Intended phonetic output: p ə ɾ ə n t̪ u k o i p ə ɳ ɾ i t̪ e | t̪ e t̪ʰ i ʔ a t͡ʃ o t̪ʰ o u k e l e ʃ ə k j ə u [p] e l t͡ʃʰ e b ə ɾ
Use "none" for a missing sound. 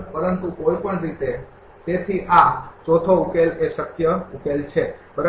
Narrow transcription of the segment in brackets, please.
k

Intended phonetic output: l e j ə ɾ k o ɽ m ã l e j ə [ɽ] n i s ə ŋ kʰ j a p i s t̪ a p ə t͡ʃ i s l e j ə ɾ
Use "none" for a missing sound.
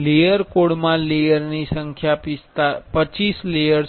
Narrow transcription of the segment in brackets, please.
ɾ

